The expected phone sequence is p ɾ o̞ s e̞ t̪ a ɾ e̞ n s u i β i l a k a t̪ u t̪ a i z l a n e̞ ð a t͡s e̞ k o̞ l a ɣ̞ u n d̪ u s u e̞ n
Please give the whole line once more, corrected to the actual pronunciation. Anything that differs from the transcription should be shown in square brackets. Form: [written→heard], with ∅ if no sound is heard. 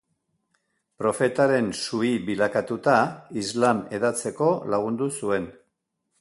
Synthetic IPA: p ɾ o̞ [s→f] e̞ t̪ a ɾ e̞ n s u i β i l a k a t̪ u t̪ a i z l a [n→m] e̞ ð a t͡s e̞ k o̞ l a ɣ̞ u n d̪ u s u e̞ n